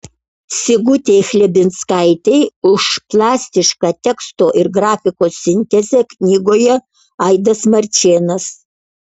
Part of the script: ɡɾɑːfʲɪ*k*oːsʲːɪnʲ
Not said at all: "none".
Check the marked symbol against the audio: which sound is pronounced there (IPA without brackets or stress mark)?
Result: k